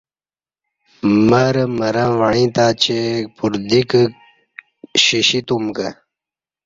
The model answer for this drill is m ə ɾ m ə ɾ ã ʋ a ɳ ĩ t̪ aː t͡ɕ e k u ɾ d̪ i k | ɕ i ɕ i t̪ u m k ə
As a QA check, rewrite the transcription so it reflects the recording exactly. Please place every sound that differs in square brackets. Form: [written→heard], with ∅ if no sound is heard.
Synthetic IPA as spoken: m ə ɾ m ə ɾ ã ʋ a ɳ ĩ t̪ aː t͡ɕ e [k→p] u ɾ d̪ i k | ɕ i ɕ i t̪ u m k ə